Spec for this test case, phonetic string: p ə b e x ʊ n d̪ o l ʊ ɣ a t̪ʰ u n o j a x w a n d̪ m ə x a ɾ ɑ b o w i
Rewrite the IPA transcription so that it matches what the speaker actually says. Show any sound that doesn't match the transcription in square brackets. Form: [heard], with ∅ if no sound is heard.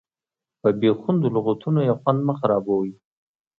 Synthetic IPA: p ə b e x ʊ n d̪ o l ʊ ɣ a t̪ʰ u n o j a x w a n d̪ m ə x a ɾ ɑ b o w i